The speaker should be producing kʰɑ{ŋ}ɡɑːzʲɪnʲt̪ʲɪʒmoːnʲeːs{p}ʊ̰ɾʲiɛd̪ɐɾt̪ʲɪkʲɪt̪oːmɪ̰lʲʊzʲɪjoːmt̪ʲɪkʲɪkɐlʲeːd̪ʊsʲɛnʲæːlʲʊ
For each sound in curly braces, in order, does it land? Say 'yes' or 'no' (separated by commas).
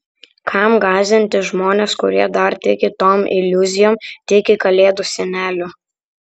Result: no, no